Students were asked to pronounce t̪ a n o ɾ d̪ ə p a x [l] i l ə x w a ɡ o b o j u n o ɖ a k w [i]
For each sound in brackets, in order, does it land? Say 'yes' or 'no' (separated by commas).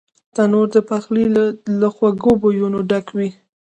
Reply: yes, yes